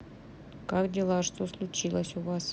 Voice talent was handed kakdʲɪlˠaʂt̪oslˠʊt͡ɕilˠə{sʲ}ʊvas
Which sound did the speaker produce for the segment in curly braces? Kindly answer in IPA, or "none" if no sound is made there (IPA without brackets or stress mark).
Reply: sʲ